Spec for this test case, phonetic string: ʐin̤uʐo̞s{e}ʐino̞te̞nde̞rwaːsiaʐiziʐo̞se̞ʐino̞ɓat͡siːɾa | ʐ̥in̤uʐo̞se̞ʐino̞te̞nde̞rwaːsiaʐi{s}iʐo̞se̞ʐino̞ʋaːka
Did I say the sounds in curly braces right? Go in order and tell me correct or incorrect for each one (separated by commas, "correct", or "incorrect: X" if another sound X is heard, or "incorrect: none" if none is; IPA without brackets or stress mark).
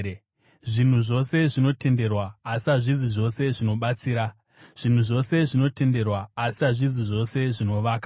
correct, incorrect: z